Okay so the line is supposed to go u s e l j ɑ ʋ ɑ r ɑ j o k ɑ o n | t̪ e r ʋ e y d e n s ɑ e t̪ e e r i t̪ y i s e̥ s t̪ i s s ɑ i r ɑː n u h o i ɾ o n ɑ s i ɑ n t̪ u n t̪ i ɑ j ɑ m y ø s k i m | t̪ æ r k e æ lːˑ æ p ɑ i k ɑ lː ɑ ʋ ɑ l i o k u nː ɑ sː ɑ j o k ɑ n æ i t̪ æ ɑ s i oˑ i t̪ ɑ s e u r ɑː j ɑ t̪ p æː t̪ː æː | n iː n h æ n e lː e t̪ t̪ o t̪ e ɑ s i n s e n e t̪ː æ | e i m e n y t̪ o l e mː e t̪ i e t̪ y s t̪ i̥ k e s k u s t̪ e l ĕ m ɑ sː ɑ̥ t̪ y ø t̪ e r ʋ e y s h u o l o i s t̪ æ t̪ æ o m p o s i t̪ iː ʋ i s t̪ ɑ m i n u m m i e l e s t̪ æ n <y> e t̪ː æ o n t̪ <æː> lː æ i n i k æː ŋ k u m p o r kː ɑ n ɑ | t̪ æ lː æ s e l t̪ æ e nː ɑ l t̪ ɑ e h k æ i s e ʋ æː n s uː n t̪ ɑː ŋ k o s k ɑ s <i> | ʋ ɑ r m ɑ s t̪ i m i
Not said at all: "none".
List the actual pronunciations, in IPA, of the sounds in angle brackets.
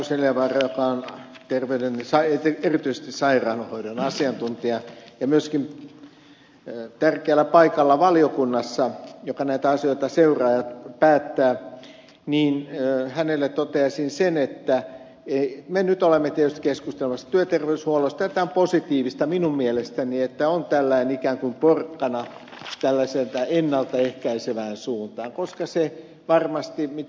i, æ, e

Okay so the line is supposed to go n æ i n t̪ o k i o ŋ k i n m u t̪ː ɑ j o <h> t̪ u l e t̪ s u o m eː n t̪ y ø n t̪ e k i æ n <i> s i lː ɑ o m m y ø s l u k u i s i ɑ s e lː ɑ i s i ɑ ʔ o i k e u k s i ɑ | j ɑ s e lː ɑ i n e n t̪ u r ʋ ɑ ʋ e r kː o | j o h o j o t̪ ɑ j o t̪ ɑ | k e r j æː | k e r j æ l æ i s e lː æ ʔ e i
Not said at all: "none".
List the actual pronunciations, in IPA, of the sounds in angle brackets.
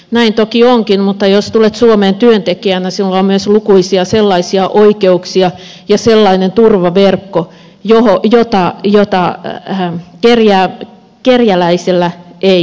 s, æ

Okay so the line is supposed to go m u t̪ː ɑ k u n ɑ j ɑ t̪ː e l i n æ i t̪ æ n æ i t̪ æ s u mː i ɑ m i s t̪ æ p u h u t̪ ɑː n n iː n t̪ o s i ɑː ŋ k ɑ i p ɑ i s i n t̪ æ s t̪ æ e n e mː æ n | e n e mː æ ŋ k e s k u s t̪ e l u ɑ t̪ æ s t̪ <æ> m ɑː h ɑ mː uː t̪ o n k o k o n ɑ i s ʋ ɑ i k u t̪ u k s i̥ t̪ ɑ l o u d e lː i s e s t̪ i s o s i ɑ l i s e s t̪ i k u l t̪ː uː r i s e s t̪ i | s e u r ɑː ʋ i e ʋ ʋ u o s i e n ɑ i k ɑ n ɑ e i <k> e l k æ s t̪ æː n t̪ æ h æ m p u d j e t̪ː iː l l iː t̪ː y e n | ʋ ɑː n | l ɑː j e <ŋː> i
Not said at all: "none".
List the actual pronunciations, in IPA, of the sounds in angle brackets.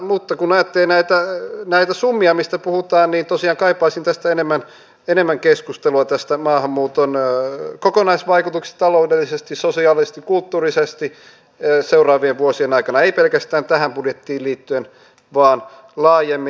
æ, p, mː

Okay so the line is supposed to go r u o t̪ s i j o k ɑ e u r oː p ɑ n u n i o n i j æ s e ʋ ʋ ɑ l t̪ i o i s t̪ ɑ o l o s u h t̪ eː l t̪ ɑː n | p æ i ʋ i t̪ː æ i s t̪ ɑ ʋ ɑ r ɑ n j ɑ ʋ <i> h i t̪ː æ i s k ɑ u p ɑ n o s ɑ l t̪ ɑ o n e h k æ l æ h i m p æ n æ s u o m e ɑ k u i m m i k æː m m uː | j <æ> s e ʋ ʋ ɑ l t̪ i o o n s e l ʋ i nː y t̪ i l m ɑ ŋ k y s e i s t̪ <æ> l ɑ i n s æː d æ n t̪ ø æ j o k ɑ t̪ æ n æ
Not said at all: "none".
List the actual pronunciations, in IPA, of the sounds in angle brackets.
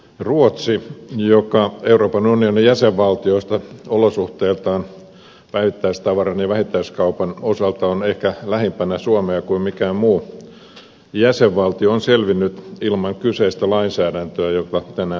æ, æ, æ

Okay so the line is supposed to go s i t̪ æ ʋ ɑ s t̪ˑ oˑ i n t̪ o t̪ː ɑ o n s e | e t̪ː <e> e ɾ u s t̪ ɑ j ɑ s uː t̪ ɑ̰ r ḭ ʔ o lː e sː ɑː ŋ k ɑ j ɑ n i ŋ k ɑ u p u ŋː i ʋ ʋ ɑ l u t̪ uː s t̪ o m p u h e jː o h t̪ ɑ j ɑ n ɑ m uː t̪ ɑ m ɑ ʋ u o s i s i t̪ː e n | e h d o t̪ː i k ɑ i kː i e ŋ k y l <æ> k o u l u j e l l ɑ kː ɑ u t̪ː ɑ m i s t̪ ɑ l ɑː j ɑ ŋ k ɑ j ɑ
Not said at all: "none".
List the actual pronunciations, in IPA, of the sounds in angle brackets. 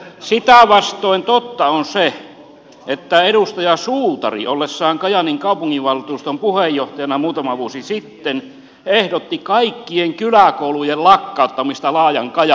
æ, æ

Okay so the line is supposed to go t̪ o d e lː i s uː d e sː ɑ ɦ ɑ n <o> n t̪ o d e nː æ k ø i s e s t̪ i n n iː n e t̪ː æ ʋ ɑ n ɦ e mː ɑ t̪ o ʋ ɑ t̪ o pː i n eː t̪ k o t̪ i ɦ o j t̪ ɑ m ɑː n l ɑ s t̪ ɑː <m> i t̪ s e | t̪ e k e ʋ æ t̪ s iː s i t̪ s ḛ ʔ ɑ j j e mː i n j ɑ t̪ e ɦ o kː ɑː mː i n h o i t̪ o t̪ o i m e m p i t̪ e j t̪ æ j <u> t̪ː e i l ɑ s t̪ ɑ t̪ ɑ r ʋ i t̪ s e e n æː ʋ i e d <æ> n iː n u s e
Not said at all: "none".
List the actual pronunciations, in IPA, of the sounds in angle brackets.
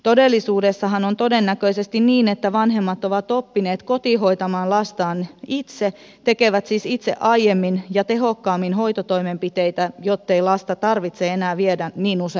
o, n, o, æ

